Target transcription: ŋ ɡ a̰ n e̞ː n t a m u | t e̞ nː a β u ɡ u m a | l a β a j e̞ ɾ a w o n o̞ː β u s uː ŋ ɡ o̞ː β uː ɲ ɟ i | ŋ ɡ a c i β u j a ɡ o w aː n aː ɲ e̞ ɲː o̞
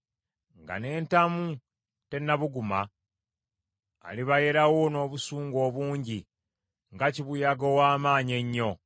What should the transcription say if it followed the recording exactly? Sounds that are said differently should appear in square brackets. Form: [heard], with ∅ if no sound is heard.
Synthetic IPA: ŋ ɡ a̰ n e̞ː n t a m u | t e̞ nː a β u ɡ u m a | l [i] β a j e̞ ɾ a w o n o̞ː β u s uː ŋ ɡ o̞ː β uː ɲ ɟ i | ŋ ɡ a c i β u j a ɡ o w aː [m] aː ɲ e̞ ɲː o̞